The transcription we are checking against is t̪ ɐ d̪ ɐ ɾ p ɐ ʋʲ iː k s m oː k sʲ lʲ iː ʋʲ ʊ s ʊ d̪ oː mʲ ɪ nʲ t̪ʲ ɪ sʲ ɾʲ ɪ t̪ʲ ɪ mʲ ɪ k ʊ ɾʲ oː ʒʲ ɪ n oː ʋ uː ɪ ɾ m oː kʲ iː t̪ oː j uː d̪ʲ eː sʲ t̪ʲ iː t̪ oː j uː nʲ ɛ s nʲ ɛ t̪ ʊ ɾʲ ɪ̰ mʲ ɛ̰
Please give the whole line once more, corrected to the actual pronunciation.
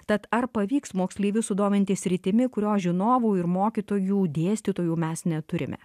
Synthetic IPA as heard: t̪ ɐ t̪ ɐ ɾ p ɐ ʋʲ iː k s m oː k sʲ lʲ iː ʋʲ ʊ s ʊ d̪ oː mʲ ɪ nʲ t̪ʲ ɪ sʲ ɾʲ ɪ t̪ʲ ɪ mʲ ɪ k ʊ ɾʲ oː ʒʲ ɪ n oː ʋ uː ɪ ɾ m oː kʲ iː t̪ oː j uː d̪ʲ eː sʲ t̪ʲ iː t̪ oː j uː mʲ ɛ s nʲ ɛ t̪ ʊ ɾʲ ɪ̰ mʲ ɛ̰